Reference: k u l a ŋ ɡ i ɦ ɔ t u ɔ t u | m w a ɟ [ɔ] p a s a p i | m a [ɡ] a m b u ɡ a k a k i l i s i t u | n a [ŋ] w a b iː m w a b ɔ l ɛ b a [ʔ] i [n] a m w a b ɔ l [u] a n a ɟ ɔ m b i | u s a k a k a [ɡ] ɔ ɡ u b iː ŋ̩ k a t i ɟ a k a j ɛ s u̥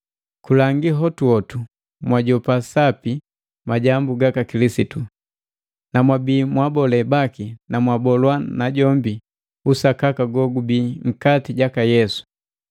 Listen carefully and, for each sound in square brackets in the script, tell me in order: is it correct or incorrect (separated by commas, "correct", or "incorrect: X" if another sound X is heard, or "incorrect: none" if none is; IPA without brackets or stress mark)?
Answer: correct, incorrect: ɟ, incorrect: m, incorrect: k, correct, incorrect: w, correct